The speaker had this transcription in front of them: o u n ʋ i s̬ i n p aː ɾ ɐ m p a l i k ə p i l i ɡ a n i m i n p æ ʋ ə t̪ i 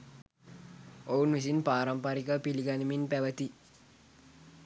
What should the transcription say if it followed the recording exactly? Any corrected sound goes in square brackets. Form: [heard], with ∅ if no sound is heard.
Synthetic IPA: o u n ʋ i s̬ i n p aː ɾ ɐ m p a [ɾ] i k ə p i l i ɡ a n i m i n p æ ʋ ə t̪ i